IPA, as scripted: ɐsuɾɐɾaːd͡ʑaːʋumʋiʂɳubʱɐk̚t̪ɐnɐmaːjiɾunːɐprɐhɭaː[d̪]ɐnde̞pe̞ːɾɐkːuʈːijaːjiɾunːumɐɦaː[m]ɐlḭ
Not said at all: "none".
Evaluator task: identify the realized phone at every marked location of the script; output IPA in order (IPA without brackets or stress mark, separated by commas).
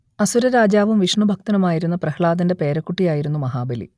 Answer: d̪, b